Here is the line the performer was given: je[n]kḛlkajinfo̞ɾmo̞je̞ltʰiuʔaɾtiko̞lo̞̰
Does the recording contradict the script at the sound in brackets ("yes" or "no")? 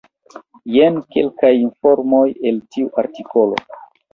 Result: no